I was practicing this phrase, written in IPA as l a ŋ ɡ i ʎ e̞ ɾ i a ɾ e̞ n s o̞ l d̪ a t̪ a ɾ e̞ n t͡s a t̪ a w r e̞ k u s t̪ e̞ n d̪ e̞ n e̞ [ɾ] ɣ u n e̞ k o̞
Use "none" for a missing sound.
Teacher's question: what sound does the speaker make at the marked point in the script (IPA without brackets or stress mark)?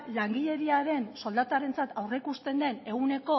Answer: none